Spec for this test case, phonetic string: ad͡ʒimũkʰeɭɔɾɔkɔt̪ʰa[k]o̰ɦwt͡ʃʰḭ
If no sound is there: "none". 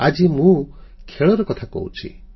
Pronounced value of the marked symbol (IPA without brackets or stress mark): k